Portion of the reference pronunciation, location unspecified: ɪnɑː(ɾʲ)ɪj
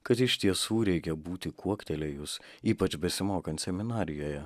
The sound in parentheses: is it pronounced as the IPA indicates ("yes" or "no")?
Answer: yes